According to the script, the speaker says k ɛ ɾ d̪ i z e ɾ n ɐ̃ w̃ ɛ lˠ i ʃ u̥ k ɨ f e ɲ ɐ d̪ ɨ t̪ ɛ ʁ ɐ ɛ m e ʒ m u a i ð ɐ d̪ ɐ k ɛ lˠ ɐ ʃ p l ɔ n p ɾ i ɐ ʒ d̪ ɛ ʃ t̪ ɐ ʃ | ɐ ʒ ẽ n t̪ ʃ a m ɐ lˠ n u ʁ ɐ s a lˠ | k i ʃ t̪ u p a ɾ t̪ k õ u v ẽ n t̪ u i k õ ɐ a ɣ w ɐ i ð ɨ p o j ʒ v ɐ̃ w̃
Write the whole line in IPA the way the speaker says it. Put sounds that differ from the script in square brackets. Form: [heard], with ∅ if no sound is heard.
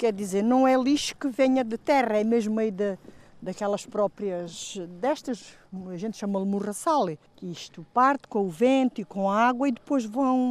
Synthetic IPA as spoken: k ɛ ɾ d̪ i z e ɾ n ɐ̃ w̃ ɛ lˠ i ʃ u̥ k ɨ [v] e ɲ ɐ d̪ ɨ t̪ ɛ ʁ ɐ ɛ m e ʒ m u [ɐ] i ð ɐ d̪ ɐ k ɛ lˠ ɐ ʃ p [ɾ] ɔ [∅] p ɾ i ɐ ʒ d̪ ɛ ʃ t̪ ɐ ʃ | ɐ ʒ ẽ n t̪ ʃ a m ɐ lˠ [m] u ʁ ɐ s a lˠ | k i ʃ t̪ u p a ɾ t̪ k õ u v ẽ n t̪ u i k õ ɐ a ɣ w ɐ i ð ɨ p o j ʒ v ɐ̃ w̃